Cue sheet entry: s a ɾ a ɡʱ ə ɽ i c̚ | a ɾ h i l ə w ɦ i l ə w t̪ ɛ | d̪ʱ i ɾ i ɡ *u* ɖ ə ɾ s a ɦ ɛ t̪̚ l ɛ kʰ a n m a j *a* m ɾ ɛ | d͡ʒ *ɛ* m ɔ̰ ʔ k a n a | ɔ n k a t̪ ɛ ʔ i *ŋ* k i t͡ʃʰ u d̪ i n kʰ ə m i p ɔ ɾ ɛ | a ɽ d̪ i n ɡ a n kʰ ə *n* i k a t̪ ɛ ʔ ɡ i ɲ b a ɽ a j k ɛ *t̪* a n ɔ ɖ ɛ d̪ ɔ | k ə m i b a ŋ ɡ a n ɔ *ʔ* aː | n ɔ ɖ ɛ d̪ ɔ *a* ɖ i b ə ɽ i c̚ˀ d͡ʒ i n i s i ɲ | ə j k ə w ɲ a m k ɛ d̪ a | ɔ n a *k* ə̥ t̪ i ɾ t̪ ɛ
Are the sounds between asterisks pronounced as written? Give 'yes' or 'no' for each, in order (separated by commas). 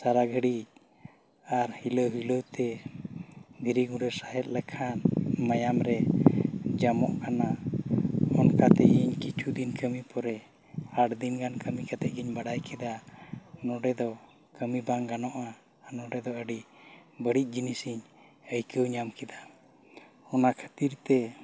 yes, yes, no, no, no, no, yes, no, no